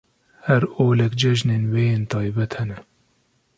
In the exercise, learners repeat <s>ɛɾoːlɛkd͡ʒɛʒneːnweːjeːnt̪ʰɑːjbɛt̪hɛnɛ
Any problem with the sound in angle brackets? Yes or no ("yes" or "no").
yes